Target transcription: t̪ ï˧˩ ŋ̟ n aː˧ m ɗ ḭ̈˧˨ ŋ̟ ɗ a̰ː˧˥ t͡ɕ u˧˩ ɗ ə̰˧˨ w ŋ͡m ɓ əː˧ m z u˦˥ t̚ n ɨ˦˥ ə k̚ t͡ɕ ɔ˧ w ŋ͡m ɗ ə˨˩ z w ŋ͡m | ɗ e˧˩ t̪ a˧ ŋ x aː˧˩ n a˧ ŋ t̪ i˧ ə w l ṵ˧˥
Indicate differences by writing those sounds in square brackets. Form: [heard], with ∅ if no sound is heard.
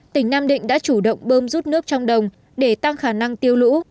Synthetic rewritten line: t̪ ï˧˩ ŋ̟ n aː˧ m ɗ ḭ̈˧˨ ŋ̟ ɗ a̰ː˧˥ t͡ɕ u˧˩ ɗ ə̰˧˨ w ŋ͡m ɓ əː˧ m z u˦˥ t̚ n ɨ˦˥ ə k̚ t͡ɕ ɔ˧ w ŋ͡m ɗ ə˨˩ [∅] w ŋ͡m | ɗ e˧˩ t̪ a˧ ŋ x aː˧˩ n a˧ ŋ t̪ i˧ ə w l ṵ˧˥